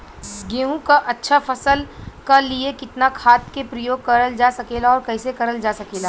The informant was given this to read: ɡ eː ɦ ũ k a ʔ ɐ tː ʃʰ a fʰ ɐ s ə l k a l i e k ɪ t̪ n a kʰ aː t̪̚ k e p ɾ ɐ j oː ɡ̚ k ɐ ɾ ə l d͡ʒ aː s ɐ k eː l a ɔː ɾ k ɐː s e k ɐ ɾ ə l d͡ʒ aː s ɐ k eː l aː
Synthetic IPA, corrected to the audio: ɡ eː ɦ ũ k a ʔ ɐ tː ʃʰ a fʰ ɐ s ə l k a l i e k ɪ t̪ n a kʰ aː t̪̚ k e p ɾ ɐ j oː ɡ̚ k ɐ ɾ ə l d͡ʒ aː s ɐ k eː l a ɔː ɾ k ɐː s e k ɐ ɾ ə l d͡ʒ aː s ɐ k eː l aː